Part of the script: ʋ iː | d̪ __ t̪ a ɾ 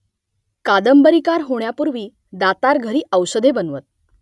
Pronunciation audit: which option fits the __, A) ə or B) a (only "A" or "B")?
B